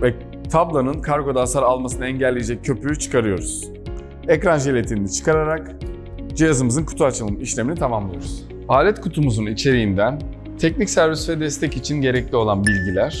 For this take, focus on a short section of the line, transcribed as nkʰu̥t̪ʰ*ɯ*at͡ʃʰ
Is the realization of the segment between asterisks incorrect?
yes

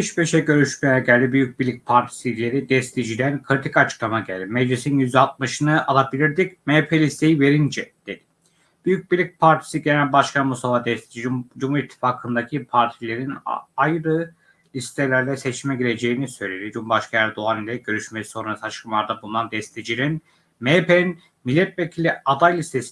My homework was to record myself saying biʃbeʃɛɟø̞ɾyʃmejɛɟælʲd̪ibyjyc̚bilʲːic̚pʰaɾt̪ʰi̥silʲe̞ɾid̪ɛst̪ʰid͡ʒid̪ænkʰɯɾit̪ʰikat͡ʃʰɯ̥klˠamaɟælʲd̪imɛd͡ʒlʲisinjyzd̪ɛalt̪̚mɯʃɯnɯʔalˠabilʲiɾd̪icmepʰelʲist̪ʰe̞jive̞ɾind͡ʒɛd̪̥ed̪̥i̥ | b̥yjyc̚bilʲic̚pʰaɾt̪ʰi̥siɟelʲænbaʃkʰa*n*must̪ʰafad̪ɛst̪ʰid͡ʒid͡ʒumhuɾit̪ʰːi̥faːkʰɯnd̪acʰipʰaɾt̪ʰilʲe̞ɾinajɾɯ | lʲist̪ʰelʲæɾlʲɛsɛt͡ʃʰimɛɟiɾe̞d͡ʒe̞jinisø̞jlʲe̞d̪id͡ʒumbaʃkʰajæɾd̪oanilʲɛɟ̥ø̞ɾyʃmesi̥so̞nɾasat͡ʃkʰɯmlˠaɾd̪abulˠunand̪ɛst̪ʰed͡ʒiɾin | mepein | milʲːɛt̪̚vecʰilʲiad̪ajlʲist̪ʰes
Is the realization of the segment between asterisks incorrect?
no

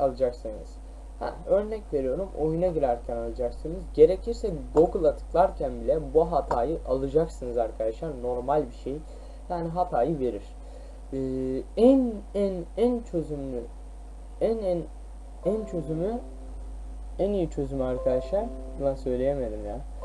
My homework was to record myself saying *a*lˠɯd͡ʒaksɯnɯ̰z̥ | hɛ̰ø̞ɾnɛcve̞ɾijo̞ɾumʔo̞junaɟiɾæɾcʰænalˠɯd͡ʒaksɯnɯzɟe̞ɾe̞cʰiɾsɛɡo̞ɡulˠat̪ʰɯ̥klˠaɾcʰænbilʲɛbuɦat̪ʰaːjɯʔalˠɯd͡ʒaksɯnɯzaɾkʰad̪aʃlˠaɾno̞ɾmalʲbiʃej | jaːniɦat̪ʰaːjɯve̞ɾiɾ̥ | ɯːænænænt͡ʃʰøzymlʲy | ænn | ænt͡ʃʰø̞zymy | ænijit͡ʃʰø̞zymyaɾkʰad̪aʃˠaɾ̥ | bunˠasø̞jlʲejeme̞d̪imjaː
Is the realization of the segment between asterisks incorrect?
no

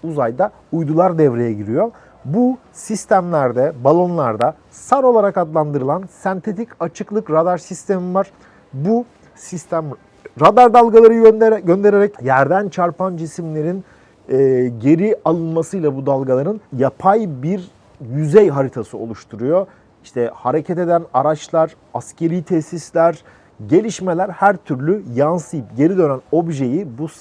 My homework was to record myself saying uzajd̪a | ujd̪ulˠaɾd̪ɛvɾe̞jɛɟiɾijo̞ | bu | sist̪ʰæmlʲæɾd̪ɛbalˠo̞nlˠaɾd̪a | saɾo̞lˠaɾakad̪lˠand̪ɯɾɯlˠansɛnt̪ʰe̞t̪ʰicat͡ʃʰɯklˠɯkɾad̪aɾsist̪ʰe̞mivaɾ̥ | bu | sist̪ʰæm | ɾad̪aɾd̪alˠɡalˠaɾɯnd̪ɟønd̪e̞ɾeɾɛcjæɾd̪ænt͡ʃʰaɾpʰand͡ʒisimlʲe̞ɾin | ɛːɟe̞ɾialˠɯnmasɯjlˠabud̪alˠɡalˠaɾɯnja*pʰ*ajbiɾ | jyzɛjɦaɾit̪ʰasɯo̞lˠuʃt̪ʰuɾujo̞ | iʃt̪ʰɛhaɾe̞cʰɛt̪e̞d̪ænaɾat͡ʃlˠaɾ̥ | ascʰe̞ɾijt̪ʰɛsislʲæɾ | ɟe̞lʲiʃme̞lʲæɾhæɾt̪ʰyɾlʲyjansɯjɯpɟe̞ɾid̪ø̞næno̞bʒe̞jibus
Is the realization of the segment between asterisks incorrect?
no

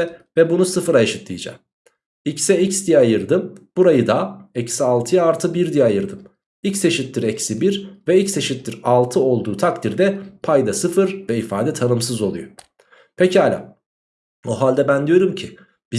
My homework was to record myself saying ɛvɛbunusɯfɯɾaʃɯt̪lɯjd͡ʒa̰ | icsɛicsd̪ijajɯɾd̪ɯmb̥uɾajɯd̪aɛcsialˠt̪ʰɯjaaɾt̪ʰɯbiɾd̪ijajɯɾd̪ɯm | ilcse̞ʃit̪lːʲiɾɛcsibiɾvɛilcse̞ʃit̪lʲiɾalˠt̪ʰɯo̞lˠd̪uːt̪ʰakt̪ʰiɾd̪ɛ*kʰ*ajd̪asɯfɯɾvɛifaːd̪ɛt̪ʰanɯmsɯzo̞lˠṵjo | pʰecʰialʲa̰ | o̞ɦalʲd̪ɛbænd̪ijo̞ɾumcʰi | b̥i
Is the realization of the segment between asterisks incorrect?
yes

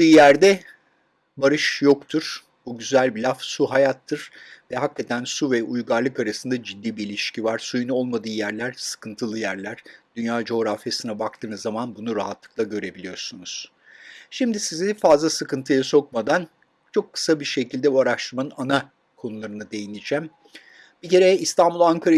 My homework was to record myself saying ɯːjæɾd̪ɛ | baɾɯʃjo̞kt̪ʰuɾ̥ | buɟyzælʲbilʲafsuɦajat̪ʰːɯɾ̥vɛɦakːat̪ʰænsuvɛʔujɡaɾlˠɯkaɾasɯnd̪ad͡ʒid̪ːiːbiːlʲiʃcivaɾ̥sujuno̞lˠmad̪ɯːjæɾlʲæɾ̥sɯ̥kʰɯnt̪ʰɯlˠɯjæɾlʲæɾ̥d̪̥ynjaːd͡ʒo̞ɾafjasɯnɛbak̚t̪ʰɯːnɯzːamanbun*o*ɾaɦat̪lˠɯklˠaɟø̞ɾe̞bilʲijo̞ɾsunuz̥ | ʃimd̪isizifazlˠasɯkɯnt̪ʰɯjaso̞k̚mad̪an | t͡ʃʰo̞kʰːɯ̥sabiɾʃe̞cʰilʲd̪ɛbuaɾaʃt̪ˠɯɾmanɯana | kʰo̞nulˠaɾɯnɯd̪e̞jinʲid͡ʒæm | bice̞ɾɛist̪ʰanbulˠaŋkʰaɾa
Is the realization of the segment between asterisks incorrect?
yes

